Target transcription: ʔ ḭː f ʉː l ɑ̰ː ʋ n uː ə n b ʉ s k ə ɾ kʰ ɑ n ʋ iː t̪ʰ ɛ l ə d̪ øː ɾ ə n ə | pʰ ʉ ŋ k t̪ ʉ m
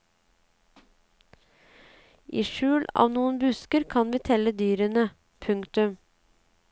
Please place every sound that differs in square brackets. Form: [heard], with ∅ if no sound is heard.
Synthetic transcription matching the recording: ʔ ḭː [ʃ] ʉː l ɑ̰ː ʋ n uː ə n b ʉ s k ə ɾ kʰ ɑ n ʋ iː t̪ʰ ɛ l ə d̪ [yː] ɾ ə n ə | pʰ ʉ ŋ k t̪ ʉ m